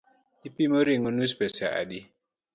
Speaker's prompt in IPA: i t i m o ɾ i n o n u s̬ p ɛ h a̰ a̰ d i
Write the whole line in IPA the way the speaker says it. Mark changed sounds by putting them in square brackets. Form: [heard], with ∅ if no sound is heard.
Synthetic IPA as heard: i [p] i m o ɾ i [ŋ] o n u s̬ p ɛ [s] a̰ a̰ d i